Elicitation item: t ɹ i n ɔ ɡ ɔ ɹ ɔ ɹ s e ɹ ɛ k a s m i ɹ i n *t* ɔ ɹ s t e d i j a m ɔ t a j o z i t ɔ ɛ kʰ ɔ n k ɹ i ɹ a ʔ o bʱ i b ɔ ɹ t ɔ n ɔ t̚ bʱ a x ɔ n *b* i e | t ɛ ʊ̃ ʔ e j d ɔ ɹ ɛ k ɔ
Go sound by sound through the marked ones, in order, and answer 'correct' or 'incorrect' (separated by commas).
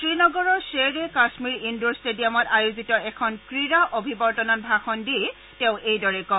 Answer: incorrect, incorrect